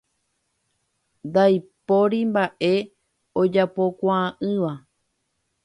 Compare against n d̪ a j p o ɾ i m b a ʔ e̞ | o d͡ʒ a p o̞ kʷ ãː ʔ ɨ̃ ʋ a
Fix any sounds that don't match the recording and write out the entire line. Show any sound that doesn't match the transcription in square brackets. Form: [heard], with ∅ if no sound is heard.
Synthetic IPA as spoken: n d̪ a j p o ɾ i m b a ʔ e̞ | o d͡ʒ a p o̞ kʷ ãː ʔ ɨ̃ ʋ a